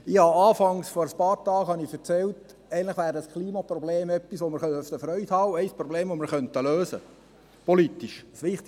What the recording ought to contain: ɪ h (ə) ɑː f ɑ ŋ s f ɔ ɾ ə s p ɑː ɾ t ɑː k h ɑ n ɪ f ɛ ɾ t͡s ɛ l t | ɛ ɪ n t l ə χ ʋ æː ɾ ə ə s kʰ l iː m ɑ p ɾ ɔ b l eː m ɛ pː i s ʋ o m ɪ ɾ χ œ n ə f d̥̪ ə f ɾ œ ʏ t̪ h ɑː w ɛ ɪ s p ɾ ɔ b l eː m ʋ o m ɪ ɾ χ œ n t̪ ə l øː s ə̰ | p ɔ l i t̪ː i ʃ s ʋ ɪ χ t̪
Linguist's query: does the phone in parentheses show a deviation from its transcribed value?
yes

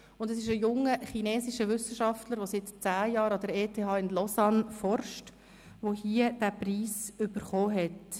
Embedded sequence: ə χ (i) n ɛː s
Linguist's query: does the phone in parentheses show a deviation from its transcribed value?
no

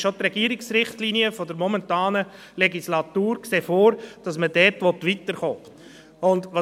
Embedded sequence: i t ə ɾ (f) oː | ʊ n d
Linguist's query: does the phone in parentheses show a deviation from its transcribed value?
yes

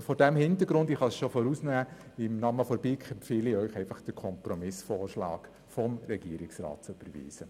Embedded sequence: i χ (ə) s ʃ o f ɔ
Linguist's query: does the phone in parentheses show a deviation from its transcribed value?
yes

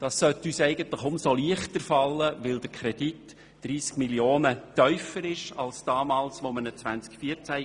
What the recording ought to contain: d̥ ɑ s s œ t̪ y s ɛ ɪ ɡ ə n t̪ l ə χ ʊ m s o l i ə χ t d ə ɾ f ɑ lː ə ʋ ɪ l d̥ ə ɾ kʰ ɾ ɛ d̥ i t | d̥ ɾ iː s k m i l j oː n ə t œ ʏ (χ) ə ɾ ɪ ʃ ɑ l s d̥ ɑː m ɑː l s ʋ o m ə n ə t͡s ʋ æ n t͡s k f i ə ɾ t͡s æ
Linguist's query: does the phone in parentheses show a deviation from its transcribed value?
yes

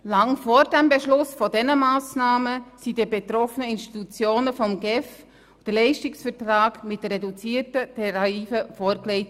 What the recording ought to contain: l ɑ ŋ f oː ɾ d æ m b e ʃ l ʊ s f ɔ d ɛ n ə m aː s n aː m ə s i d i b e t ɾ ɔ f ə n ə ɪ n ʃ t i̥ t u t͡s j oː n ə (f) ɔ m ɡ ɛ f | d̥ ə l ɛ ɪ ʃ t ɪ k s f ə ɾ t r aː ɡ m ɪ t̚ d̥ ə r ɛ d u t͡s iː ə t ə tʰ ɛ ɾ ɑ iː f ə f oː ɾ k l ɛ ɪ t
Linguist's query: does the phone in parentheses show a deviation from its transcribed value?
no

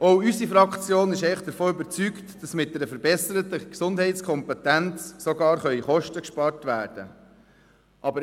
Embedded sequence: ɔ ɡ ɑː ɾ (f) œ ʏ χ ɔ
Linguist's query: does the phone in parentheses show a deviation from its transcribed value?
yes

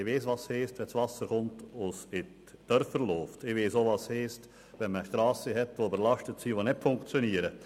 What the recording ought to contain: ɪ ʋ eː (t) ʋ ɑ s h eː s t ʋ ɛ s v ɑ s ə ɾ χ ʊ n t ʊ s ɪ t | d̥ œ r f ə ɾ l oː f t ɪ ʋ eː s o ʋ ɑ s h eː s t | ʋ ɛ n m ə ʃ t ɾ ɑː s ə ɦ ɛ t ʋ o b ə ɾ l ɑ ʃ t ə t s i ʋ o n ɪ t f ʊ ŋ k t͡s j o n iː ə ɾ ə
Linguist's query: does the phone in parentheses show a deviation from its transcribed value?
yes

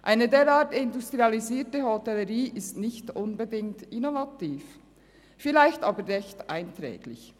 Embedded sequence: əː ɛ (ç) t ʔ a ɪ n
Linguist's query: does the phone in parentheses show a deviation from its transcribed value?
no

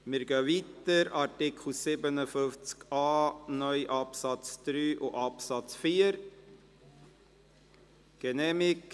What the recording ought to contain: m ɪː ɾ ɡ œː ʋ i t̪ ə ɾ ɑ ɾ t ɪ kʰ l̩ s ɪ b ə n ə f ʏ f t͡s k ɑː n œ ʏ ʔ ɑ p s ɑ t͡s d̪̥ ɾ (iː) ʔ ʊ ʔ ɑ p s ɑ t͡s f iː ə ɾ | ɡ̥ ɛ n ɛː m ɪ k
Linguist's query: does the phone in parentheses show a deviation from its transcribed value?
yes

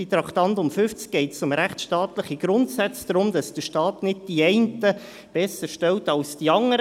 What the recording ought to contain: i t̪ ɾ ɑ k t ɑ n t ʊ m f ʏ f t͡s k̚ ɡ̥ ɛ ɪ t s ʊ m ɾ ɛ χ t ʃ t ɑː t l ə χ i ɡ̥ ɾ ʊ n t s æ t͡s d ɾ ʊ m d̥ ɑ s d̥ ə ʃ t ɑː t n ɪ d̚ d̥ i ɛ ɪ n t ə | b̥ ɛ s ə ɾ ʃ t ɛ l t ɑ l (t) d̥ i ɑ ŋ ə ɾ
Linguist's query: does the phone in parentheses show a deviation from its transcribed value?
yes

